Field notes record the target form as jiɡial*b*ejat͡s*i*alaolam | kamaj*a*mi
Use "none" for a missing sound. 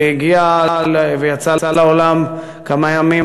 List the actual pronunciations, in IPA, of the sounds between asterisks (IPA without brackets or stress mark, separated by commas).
v, a, a